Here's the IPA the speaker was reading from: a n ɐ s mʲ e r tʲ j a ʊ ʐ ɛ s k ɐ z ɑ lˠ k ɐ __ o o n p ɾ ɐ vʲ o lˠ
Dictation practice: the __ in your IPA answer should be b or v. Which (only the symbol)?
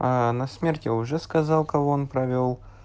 v